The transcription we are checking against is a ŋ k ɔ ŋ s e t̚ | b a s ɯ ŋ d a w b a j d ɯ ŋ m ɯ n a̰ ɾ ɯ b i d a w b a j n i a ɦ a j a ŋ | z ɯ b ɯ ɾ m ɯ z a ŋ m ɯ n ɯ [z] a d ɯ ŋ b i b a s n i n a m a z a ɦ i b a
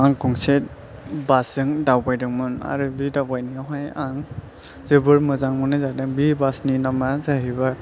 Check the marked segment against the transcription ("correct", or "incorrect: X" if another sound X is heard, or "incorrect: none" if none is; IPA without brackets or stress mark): correct